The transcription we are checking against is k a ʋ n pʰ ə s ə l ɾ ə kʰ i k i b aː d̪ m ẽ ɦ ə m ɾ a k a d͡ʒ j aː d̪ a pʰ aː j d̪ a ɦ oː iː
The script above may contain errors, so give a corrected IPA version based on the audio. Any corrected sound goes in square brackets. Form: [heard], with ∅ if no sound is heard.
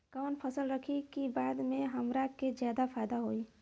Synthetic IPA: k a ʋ n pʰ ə s ə l ɾ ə kʰ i k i b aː d̪ m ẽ ɦ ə m ɾ a k [e] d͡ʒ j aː d̪ a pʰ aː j d̪ a ɦ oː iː

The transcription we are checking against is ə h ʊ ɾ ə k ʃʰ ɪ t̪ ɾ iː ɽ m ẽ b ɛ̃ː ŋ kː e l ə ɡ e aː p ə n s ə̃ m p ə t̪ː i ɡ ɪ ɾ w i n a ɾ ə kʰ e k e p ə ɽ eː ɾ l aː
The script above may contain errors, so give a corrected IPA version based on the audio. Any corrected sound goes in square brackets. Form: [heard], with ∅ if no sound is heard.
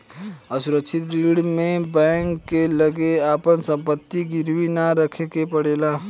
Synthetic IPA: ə [s] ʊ ɾ ə k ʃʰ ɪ t̪ ɾ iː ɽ m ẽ b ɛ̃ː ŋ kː e l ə ɡ e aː p ə n s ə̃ m p ə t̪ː i ɡ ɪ ɾ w i n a ɾ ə kʰ e k e p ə ɽ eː [∅] l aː

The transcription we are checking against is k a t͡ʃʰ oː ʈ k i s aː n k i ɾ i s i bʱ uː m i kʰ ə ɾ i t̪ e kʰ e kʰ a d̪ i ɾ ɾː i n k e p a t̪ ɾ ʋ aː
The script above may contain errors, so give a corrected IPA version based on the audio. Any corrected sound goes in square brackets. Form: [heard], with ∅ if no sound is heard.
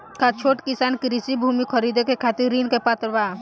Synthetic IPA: k a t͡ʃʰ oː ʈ k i s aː n k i ɾ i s i bʱ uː m i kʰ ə ɾ i [d̪] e [k] e kʰ a [t̪] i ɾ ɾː i n k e p a t̪ ɾ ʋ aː

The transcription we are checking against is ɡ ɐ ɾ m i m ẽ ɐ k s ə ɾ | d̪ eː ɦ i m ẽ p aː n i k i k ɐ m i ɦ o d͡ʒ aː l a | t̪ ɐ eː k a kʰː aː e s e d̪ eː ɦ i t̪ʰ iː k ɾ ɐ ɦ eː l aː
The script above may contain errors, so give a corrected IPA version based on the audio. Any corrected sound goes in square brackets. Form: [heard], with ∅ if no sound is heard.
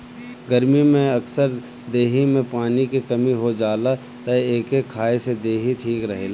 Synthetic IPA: ɡ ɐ ɾ m i m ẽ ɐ k s ə ɾ | d̪ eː ɦ i m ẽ p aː n i k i k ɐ m i ɦ o d͡ʒ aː l a | t̪ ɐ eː k [e] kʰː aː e s e d̪ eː ɦ i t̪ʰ iː k ɾ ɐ ɦ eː l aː

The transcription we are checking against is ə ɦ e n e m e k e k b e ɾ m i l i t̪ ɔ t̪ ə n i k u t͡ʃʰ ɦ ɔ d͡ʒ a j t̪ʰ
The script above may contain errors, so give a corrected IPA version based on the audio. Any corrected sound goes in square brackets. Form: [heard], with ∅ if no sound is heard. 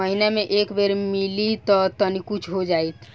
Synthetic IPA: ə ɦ [i] n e m e [ʔ] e k b e ɾ m i l i t̪ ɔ t̪ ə n i k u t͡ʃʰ ɦ [o] d͡ʒ a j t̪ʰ

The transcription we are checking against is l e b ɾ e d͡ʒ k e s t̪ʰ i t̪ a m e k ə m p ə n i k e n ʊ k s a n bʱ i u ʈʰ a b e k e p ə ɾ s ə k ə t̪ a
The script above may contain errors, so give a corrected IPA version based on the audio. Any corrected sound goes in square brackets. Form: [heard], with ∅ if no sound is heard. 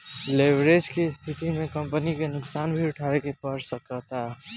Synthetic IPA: l e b ɾ e d͡ʒ k e s t̪ʰ i t̪ [i] m e k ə m p ə n i k e n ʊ k s a n bʱ i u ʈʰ a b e k e p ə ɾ s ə k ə t̪ a

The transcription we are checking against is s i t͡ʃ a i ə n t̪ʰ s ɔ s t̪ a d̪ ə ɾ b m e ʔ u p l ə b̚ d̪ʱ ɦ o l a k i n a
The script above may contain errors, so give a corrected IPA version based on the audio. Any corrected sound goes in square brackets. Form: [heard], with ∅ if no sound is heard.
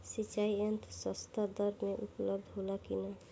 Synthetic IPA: s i t͡ʃ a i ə n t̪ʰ s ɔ s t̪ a d̪ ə ɾ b m e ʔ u p l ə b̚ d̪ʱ ɦ o l a k i n a

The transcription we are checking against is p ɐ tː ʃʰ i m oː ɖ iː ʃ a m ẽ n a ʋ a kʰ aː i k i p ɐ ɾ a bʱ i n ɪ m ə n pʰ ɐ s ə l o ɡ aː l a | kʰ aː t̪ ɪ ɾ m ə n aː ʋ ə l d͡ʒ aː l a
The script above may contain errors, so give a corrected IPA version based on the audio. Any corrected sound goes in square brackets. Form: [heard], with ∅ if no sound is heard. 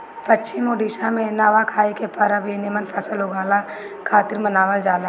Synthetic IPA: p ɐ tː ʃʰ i m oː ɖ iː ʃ a m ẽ n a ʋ a kʰ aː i k [e] p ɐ ɾ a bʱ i n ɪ m ə n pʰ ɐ s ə l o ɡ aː l a | kʰ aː t̪ ɪ ɾ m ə n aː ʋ ə l d͡ʒ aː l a

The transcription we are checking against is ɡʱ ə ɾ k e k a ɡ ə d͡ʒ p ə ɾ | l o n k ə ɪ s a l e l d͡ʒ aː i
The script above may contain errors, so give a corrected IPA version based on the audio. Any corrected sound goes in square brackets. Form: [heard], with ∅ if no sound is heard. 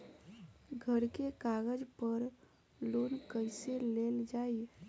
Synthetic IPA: ɡʱ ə ɾ k e k a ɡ ə d͡ʒ p ə ɾ | l o n k ə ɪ s [e] l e l d͡ʒ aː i

